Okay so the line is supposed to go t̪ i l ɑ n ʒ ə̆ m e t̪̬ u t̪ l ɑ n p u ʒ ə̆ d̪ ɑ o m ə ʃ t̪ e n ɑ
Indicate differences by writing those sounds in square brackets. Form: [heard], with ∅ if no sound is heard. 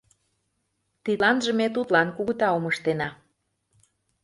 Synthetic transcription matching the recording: t̪ i l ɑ n ʒ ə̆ m e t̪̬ u t̪ l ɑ n [k] u [ɣ] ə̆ [t̪] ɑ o m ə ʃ t̪ e n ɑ

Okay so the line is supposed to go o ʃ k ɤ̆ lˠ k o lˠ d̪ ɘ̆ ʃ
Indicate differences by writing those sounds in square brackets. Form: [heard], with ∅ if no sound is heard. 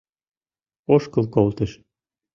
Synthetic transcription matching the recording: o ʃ k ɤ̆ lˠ k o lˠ [t̪] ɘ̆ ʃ

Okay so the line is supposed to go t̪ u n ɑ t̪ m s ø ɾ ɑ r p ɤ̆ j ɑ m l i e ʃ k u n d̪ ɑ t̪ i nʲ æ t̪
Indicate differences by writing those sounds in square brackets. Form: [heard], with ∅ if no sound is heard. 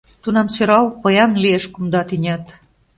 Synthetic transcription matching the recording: t̪ u n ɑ [∅] m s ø ɾ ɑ [l] p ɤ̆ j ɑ [n] l i e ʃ k u [m] d̪ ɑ t̪ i nʲ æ t̪

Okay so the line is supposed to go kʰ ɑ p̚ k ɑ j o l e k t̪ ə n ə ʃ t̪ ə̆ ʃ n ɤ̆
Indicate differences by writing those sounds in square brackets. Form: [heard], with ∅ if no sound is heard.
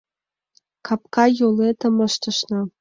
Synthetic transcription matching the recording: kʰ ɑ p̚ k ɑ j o l e [∅] t̪ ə [m] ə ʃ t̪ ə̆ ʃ n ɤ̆

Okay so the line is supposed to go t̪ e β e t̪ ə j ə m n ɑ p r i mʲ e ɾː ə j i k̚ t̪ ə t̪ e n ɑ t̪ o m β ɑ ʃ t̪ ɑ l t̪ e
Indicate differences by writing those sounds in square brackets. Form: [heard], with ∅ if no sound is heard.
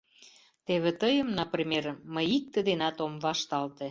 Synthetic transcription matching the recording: t̪ e β e t̪ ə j ə m n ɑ p r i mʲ e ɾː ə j i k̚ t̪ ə [d̪] e n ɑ t̪ o m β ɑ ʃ t̪ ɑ l t̪ e

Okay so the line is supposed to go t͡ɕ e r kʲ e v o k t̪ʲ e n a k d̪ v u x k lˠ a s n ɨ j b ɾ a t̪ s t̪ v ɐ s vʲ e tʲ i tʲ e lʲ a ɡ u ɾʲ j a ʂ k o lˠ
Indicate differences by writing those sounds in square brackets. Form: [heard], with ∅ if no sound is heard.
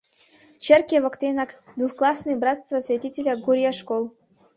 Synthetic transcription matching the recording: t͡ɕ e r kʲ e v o k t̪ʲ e n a k d̪ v u x k lˠ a s n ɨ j b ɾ a t̪ s t̪ v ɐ s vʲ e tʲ i tʲ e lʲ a ɡ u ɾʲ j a ʂ k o lˠ

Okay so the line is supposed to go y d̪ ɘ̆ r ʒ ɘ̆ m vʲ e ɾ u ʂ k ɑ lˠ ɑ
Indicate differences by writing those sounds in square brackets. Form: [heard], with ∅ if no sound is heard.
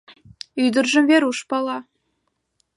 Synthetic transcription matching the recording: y d̪ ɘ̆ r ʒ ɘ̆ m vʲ e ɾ u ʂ [p] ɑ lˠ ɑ

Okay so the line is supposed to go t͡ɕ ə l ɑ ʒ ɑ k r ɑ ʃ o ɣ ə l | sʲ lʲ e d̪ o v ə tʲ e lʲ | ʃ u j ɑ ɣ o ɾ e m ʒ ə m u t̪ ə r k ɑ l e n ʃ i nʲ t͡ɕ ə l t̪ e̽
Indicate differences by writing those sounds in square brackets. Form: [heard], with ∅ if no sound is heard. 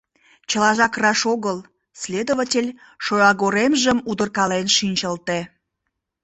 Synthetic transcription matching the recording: t͡ɕ ə l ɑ ʒ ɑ k r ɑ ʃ o ɣ ə l | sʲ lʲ e d̪ o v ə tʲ e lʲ | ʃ [o] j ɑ ɣ o ɾ e m ʒ ə m u [d̪] ə r k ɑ l e n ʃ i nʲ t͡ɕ ə l t̪ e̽

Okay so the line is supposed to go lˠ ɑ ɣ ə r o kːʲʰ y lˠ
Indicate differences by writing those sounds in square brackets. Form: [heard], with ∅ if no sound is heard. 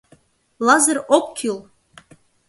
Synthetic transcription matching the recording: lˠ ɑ [z] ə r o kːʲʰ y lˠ

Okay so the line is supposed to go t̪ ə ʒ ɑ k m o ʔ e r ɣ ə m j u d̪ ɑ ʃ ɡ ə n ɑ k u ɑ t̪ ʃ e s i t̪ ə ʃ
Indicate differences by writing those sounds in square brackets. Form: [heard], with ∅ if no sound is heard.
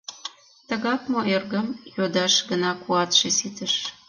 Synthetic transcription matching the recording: t̪ ə [ɣ] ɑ k m o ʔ e r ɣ ə m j [o] d̪ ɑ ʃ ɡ ə n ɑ k u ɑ t̪ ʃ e s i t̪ ə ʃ

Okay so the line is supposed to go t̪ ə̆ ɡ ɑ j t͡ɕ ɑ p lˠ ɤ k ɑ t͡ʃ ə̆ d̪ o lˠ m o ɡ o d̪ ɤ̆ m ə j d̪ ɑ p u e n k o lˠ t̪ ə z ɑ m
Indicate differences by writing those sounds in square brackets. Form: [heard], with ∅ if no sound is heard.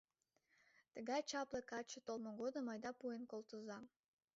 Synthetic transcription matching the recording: t̪ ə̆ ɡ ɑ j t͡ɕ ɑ p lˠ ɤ k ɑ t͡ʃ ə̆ [t̪] o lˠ m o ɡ o d̪ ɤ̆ m [ɑ] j d̪ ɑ p u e n k o lˠ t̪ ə z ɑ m

